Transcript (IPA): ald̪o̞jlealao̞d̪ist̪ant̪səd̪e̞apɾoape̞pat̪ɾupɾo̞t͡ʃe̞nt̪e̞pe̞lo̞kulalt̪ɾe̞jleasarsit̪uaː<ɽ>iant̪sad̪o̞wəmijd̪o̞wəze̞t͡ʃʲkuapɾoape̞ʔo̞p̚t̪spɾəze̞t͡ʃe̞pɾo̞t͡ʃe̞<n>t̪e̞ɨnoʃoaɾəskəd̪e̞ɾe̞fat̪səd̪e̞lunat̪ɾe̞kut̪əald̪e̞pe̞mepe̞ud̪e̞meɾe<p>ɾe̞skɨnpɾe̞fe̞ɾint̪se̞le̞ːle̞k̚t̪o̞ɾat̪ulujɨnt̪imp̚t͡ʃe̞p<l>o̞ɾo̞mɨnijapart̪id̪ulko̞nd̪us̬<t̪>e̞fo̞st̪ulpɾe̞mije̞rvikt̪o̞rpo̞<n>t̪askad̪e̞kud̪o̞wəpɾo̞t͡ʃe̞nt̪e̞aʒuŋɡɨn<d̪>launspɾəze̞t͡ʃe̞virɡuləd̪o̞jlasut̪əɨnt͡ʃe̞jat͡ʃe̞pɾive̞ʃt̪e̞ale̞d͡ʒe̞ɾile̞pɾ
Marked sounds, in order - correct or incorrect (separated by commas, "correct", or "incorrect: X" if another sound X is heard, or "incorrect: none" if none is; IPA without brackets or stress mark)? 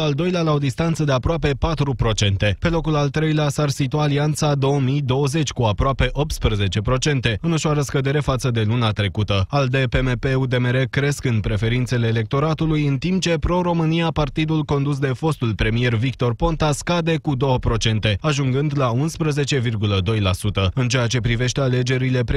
incorrect: l, correct, incorrect: k, incorrect: ɾ, incorrect: d̪, correct, correct